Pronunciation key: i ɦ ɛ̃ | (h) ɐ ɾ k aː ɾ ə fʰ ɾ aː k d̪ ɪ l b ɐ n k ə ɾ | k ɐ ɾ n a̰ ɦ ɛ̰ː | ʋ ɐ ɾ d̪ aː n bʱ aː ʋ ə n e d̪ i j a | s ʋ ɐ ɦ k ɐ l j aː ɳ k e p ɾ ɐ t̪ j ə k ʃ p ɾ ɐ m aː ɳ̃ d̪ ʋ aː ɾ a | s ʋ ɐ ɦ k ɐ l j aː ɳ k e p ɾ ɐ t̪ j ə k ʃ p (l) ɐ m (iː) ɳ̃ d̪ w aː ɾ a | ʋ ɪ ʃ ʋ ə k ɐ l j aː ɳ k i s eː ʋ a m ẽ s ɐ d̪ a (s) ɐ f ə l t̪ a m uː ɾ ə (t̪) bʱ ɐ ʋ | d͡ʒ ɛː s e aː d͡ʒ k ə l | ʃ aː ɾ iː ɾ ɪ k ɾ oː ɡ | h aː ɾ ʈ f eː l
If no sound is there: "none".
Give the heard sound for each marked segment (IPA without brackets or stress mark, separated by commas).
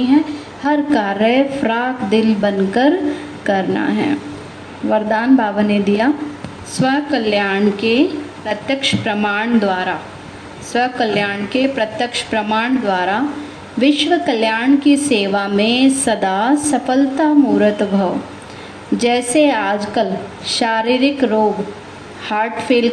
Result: h, ɾ, aː, s, t̪